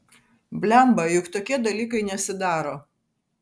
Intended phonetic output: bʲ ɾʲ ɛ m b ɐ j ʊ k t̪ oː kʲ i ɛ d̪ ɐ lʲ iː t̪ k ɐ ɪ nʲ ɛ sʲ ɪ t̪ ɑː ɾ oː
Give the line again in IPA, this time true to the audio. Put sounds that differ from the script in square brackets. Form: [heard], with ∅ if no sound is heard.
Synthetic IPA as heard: bʲ [lʲ] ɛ m b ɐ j ʊ k t̪ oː kʲ i ɛ d̪ ɐ lʲ iː [∅] k ɐ ɪ nʲ ɛ sʲ ɪ [d̪] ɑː ɾ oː